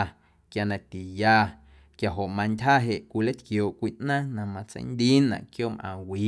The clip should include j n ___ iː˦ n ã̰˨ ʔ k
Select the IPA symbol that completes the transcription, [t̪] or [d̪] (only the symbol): d̪